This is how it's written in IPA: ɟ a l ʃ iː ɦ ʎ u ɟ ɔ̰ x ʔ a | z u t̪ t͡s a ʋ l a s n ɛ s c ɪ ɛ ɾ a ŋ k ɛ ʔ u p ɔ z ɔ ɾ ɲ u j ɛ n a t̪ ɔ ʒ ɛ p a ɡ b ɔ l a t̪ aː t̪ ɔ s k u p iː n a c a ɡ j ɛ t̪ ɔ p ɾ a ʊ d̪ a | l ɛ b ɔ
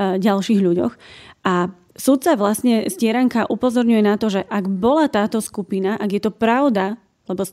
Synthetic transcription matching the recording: ɟ a l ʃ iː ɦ ʎ u ɟ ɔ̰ x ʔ a | s u t̪ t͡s a ʋ l a s ɲ ɛ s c ɪ ɛ ɾ a ŋ k a ʔ u p ɔ z ɔ ɾ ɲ u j ɛ n a t̪ ɔ ʒ ɛ ʔ a ɡ b ɔ l a t̪ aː t̪ ɔ s k u p i n a ʔ a ɡ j ɛ t̪ ɔ p ɾ a ʊ d̪ a | l ɛ b ɔ